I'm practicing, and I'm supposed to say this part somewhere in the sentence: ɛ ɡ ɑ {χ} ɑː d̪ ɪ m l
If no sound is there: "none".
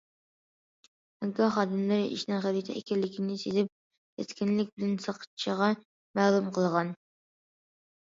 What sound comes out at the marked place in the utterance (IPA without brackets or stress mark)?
χ